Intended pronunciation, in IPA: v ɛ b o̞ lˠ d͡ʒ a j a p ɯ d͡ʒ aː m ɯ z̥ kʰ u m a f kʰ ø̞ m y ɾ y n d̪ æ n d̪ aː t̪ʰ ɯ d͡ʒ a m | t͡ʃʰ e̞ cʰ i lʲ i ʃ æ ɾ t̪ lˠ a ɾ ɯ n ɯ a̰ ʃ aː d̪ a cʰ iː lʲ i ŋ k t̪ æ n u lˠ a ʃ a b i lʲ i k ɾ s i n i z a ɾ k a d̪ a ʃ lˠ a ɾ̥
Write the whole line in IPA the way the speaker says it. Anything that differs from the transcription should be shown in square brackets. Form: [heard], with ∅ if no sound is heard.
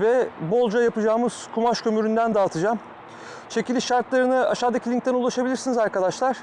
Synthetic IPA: v ɛ b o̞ lˠ d͡ʒ a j a p ɯ d͡ʒ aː m ɯ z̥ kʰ u m a [ʃ] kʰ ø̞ m y ɾ y n d̪ æ n d̪ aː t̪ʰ ɯ d͡ʒ a m | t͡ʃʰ e̞ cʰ i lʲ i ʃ [a] ɾ t̪ lˠ a ɾ ɯ n ɯ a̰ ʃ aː d̪ a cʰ [i] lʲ i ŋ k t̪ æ n u lˠ a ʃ a b i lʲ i [∅] ɾ s i n i z a ɾ k a d̪ a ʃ lˠ a ɾ̥